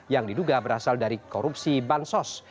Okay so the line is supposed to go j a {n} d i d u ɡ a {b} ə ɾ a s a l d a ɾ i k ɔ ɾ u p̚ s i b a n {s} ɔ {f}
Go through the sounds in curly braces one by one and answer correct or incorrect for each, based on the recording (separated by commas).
incorrect, correct, correct, incorrect